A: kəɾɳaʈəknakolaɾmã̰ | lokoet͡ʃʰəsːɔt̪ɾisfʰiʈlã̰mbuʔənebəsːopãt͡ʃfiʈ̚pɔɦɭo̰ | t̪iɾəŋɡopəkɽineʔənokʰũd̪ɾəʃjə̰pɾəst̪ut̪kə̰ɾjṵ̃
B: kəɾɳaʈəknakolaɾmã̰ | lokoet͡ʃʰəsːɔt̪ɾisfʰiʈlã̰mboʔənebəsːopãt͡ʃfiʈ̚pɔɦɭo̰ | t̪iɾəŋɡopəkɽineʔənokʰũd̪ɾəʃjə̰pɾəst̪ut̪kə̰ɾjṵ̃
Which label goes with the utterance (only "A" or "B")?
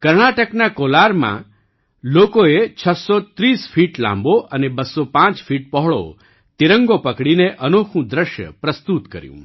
B